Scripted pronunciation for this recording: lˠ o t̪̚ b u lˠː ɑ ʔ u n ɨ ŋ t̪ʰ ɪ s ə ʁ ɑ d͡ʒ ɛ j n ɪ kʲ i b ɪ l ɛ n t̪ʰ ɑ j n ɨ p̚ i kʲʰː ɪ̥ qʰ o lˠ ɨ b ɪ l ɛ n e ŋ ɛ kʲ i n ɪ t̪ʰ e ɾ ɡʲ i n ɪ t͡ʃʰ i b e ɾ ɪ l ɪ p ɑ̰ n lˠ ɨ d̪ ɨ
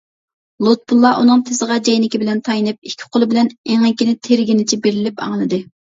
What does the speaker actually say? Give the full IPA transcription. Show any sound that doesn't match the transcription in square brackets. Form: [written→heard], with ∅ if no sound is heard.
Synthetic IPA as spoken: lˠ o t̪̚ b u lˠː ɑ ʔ u n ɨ ŋ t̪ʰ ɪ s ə ʁ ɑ d͡ʒ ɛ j n ɪ kʲ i b ɪ l ɛ n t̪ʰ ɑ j n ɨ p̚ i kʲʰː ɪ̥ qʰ o lˠ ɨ b ɪ l ɛ n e ŋ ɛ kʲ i n ɪ t̪ʰ e ɾ ɡʲ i n ɪ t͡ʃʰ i b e ɾ ɪ l ɪ p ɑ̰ [n→ŋ] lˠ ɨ d̪ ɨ